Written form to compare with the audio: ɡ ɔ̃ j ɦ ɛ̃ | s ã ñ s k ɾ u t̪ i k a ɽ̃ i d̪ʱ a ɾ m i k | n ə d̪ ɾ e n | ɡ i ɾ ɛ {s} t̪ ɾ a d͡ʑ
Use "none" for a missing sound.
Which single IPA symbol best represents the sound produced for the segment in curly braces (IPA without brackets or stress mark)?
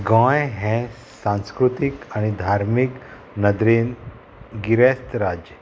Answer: s